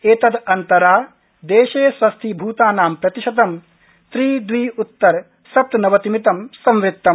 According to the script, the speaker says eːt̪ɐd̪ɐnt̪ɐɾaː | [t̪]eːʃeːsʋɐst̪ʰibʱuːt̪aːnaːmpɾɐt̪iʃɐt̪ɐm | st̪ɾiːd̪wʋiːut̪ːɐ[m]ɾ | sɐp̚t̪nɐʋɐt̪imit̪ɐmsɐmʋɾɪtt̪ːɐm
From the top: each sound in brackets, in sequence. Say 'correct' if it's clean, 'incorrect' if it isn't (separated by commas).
incorrect, incorrect